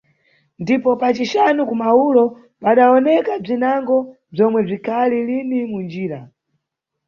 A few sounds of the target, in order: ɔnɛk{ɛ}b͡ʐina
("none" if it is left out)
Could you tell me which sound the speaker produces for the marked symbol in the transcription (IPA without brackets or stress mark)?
a